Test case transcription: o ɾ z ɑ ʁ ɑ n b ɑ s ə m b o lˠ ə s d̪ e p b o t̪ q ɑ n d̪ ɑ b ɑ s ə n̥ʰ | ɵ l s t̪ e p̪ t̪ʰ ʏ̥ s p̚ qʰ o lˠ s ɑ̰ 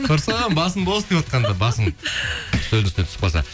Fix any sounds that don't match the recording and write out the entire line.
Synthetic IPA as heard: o ɾ s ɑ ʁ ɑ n b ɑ s ə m b o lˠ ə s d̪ e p w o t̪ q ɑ n d̪ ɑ b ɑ s ə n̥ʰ | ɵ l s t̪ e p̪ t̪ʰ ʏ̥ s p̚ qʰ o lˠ s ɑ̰